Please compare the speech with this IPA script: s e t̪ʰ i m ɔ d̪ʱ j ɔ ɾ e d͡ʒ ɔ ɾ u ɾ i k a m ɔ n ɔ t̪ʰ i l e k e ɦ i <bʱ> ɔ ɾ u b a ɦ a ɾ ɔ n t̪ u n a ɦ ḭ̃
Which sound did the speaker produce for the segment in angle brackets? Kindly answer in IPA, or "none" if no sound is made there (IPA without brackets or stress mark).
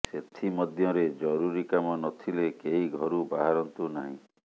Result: ɡʱ